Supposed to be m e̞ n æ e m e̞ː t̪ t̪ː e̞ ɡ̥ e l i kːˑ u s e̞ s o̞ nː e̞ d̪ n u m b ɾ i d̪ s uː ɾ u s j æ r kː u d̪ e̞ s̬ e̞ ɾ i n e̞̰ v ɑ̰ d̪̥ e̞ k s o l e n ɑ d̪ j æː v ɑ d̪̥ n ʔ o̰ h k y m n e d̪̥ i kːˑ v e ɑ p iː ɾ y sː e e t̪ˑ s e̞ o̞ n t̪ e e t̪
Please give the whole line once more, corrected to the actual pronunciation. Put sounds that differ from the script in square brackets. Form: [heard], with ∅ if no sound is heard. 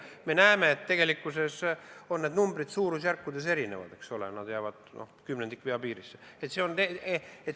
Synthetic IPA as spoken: m e̞ n æ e m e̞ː t̪ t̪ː e̞ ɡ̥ e l i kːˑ u s e̞ s o̞ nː e̞ d̪ n u m b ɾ i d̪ s uː ɾ u s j æ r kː u d̪ e̞ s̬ e̞ ɾ i n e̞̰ v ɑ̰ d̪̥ e̞ k s o l e n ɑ d̪ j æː v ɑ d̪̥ n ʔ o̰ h k y m n e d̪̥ i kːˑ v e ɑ p iː ɾ [i] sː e e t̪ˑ s e̞ o̞ n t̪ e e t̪